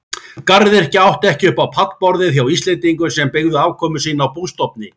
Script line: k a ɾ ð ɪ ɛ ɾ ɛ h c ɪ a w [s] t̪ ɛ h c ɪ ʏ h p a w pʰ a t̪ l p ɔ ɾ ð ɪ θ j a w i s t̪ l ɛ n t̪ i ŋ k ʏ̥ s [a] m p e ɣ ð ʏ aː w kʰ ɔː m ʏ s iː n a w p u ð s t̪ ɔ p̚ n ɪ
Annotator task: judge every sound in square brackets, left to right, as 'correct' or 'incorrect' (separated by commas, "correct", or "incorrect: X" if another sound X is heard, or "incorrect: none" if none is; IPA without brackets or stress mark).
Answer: incorrect: h, incorrect: ɛ